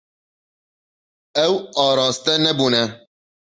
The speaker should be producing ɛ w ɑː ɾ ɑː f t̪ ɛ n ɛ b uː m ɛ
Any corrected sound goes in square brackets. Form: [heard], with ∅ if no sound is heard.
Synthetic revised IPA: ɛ w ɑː ɾ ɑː [s] t̪ ɛ n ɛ b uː [n] ɛ